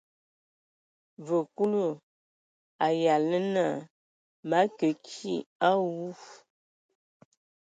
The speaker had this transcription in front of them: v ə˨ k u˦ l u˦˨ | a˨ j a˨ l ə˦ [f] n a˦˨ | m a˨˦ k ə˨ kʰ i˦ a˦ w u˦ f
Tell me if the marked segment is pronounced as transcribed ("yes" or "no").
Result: no